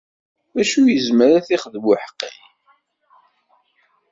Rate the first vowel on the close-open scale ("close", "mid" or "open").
open